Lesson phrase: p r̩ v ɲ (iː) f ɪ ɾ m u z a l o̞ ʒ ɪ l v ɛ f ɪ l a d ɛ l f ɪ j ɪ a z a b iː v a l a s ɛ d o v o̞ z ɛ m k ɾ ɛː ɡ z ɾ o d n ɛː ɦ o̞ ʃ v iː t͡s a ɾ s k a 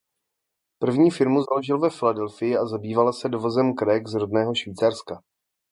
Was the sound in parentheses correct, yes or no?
yes